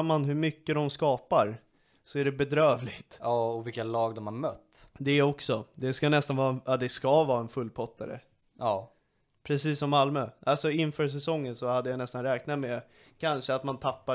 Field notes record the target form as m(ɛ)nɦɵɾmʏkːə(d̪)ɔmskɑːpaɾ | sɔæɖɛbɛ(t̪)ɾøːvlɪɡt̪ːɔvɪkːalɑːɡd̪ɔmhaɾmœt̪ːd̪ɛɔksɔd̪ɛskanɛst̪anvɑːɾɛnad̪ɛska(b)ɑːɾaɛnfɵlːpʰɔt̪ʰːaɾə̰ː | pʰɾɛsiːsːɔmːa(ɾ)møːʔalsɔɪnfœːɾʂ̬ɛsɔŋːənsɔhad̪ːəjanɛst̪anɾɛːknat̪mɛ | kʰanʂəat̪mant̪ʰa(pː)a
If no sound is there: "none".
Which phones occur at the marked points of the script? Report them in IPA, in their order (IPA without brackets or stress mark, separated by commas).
a, d̪, d̪, v, l, pː